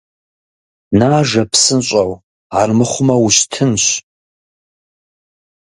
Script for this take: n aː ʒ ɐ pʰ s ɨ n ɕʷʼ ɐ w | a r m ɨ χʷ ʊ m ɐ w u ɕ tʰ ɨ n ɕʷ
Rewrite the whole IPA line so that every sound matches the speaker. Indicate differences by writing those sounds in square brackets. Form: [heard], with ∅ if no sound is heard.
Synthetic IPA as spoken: n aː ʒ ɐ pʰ s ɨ n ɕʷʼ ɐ w | a r m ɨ χʷ ʊ m ɐ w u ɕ tʰ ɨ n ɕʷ